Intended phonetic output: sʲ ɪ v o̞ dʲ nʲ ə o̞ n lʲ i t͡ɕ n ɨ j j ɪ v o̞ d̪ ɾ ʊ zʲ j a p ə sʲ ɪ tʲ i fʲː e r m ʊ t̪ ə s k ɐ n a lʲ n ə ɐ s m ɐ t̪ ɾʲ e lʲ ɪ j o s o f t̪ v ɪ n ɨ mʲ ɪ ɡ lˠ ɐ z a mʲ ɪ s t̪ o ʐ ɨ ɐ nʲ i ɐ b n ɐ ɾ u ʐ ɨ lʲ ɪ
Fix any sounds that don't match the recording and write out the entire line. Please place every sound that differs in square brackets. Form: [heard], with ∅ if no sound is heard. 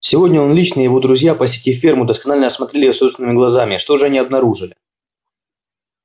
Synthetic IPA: sʲ ɪ v o̞ dʲ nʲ ə o̞ n lʲ i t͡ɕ n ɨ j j ɪ v o̞ d̪ ɾ ʊ zʲ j a p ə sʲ ɪ tʲ i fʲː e r m ʊ [d̪] ə s k ɐ n a lʲ n ə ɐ s m ɐ t̪ ɾʲ e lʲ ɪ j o s o [s] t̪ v ɪ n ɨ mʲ ɪ ɡ lˠ ɐ z a mʲ ɪ [ʂ] t̪ o ʐ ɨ ɐ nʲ i ɐ b n ɐ ɾ u ʐ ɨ lʲ ɪ